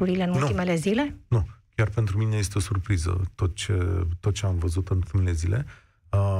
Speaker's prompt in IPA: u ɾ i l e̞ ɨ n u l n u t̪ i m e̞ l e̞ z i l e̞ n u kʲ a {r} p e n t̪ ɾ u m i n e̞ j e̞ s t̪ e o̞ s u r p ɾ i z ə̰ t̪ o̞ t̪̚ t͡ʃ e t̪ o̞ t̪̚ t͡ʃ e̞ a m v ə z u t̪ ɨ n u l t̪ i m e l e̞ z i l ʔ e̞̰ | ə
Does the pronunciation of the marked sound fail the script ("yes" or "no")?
no